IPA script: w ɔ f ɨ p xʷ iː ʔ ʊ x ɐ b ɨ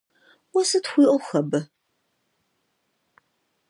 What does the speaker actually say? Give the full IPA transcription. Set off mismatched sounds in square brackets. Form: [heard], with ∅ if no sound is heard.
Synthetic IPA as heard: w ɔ [s] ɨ [t] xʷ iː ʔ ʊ x ɐ b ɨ